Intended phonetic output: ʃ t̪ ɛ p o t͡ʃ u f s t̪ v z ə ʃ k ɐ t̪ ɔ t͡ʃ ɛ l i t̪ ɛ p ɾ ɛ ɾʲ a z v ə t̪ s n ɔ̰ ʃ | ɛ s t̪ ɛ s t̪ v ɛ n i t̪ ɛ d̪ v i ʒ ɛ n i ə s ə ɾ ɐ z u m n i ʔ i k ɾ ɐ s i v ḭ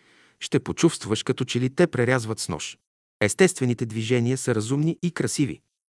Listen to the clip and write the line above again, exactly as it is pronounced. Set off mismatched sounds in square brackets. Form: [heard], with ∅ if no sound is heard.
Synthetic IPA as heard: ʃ t̪ ɛ p o t͡ʃ u f s t̪ v [v] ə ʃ k ɐ t̪ ɔ t͡ʃ ɛ l i t̪ ɛ p ɾ ɛ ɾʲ a z v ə t̪ s n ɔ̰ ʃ | ɛ s t̪ ɛ s t̪ v ɛ n i t̪ ɛ d̪ v i ʒ ɛ n i ə s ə ɾ ɐ z u m n i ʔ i k ɾ ɐ s i v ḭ